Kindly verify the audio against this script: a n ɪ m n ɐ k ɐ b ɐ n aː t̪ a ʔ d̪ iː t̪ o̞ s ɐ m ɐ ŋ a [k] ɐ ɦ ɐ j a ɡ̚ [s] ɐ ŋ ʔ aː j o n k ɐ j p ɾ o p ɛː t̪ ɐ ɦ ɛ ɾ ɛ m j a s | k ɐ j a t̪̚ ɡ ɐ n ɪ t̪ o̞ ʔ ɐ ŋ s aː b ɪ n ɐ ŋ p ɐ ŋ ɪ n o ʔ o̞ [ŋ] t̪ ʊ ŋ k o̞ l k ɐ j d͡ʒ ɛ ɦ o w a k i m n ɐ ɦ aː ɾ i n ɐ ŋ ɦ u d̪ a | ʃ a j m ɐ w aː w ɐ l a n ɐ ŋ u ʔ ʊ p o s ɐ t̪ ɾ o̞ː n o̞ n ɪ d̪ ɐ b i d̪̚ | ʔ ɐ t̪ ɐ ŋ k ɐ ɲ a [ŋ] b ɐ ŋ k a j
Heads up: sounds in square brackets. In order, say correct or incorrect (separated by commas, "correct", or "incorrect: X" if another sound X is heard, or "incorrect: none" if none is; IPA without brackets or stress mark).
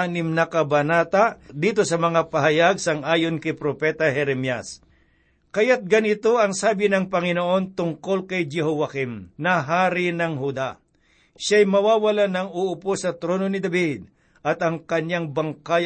incorrect: p, correct, incorrect: n, correct